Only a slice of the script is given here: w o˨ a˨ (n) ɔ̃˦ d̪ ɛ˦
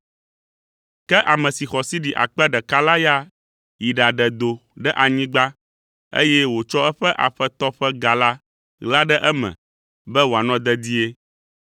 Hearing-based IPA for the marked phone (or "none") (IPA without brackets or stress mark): n